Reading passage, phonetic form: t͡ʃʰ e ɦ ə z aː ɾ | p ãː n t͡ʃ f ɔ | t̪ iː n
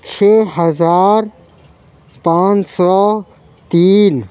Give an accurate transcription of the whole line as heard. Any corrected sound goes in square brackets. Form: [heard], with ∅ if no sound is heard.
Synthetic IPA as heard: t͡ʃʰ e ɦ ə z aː ɾ | p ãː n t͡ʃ [s] ɔ | t̪ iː n